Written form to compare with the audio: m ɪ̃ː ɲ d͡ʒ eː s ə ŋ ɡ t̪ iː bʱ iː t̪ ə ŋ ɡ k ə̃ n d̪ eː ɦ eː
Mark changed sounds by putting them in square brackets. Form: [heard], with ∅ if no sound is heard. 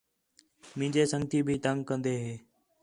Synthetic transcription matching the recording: m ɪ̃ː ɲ d͡ʒ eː s ə ŋ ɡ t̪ iː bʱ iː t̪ ə ŋ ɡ k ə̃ n d̪ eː ɦ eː